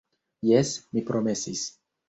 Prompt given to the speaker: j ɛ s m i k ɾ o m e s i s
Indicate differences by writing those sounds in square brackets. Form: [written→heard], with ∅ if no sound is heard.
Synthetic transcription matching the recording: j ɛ s m i [k→p] ɾ o m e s i s